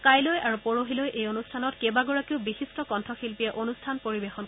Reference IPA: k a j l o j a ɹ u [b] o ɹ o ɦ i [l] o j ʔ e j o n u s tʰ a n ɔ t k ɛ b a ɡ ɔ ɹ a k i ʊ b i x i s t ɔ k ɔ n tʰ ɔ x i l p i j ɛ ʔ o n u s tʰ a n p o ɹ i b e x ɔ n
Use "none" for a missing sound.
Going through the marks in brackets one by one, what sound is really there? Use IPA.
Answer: p, l

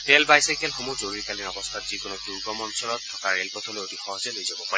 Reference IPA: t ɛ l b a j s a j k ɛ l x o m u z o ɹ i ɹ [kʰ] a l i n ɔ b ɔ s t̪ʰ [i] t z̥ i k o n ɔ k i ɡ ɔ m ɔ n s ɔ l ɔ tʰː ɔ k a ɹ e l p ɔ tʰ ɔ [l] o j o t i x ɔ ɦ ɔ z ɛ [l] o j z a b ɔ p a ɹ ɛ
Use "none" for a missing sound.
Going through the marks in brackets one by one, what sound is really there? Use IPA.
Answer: k, a, l, l

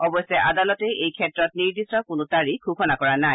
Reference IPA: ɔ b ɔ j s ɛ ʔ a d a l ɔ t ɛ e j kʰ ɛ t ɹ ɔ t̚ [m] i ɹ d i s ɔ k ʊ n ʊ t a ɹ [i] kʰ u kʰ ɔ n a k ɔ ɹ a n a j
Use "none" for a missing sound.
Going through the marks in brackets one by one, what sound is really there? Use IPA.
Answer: n, i

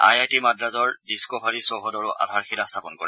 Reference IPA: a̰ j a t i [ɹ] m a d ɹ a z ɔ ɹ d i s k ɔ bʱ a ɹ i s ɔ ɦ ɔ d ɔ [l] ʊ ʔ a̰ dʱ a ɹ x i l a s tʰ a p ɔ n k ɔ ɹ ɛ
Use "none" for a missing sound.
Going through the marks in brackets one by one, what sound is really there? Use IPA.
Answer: none, ɹ

